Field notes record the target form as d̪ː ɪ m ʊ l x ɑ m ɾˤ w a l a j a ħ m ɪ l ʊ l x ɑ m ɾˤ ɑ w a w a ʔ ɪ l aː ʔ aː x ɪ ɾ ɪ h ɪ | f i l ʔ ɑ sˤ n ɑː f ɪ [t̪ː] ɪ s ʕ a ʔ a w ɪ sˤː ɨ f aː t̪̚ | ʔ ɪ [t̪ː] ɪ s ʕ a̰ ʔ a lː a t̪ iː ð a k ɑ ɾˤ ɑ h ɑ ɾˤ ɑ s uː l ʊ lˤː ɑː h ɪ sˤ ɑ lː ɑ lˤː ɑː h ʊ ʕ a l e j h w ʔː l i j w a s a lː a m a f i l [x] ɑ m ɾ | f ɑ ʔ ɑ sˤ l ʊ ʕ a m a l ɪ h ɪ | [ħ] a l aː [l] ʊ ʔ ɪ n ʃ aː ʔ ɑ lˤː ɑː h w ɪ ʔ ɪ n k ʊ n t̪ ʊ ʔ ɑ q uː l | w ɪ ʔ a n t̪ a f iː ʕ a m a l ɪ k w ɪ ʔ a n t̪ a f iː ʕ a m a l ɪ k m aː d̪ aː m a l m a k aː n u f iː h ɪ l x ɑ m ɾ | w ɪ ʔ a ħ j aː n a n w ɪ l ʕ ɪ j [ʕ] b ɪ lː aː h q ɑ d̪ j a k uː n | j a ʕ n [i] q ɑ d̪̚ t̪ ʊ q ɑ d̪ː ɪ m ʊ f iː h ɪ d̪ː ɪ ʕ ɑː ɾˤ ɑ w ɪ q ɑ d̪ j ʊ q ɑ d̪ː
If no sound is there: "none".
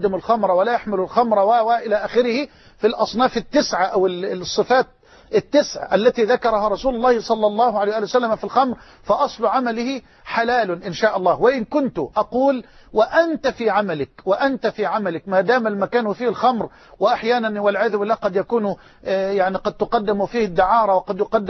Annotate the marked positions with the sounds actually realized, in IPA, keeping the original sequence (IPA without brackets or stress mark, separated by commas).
t̪ː, t̪ː, x, ħ, l, ð, i